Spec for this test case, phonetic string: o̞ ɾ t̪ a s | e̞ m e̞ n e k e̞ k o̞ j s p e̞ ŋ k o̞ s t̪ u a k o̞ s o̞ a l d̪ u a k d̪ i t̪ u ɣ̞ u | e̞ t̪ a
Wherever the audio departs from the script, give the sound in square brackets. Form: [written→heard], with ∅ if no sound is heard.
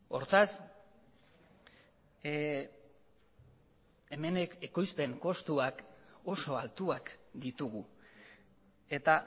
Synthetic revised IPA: o̞ ɾ t̪ a s | e̞ m e̞ n e k e̞ k o̞ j s p e̞ ŋ k o̞ s t̪ u a k o̞ s o̞ a l [d̪→t̪] u a k d̪ i t̪ u ɣ̞ u | e̞ t̪ a